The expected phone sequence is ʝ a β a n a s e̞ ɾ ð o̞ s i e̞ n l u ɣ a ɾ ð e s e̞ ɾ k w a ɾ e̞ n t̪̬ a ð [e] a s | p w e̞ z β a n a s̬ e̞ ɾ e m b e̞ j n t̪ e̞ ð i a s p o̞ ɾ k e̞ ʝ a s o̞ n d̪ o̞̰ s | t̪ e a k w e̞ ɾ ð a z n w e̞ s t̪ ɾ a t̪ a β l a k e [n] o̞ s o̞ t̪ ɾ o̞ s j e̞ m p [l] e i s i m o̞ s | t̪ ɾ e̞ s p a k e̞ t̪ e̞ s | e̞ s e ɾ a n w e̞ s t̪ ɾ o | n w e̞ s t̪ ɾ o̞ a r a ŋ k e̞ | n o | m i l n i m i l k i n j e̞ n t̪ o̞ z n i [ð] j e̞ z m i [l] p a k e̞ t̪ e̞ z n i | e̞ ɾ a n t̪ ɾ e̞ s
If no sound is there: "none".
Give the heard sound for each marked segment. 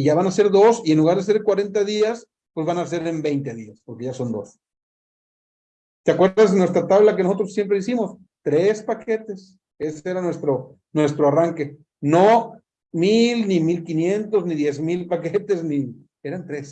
i, n, ɾ, ð, l

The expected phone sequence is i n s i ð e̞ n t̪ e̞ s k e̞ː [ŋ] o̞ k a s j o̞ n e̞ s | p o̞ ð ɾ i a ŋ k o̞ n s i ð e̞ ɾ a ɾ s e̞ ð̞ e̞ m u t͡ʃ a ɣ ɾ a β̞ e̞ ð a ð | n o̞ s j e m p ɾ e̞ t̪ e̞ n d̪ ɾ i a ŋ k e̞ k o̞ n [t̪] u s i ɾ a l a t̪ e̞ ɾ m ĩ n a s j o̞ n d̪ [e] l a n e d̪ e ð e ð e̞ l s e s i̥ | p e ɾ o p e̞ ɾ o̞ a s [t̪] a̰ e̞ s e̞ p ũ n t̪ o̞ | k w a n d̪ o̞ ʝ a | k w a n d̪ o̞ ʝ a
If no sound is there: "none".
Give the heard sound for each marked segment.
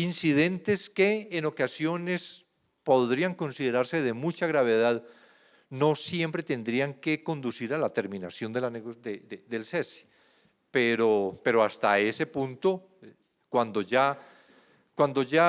n, d̪, e, t̪

